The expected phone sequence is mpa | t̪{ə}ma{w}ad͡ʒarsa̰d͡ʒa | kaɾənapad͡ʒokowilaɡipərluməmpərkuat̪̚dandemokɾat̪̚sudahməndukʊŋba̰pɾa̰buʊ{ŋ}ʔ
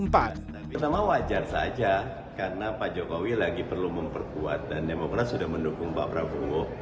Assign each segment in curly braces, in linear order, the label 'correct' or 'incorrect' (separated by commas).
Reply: incorrect, correct, incorrect